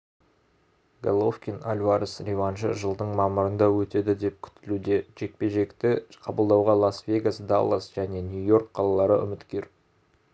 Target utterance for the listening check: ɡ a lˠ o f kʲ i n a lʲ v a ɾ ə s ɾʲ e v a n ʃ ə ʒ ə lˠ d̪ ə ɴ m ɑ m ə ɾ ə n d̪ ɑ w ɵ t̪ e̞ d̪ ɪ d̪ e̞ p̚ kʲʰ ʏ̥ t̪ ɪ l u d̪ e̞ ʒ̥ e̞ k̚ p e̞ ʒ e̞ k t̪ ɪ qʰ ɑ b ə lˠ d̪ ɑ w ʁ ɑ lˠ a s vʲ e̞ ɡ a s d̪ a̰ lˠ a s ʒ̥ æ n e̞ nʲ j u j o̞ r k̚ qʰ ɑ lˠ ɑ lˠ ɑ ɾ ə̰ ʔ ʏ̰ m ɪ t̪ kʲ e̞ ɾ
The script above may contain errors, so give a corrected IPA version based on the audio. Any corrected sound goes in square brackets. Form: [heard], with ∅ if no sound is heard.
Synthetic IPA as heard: ɡ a lˠ o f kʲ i n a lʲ v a ɾ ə s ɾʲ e v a n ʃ ə ʒ ə lˠ d̪ ə ɴ m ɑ m ə ɾ ə n d̪ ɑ w ɵ t̪ e̞ d̪ ɪ d̪ e̞ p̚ kʲʰ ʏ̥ t̪ ɪ l u d̪ e̞ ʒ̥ e̞ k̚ p e̞ ʒ e̞ k t̪ ɪ qʰ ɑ b ə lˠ d̪ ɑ w ʁ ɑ lˠ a s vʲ e̞ ɡ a s d̪ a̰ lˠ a s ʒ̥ æ n e̞ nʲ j u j o̞ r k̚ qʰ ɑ lˠ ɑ lˠ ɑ ɾ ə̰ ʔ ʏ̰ m ɪ t̪ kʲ e̞ ɾ